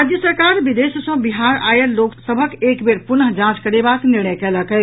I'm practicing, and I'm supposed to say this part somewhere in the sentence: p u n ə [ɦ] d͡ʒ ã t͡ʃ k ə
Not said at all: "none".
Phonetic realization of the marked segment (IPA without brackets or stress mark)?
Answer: ɦ